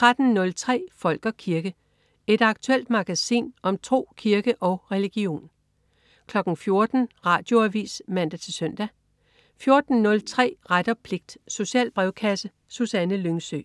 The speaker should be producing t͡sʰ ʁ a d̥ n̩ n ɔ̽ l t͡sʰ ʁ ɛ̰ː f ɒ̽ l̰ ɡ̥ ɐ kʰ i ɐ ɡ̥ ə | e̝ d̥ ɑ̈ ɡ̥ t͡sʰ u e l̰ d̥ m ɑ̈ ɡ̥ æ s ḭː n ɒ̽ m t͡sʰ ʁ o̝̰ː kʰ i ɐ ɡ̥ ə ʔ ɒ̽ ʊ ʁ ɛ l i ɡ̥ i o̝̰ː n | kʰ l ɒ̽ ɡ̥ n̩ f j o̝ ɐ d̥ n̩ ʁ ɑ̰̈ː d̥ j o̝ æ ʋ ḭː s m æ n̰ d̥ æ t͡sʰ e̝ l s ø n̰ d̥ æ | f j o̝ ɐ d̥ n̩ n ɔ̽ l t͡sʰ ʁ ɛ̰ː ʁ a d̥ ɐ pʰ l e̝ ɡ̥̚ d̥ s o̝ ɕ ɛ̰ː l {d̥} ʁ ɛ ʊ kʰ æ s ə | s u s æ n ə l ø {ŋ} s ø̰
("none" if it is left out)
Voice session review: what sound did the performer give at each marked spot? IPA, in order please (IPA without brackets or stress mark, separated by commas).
b̥, ŋ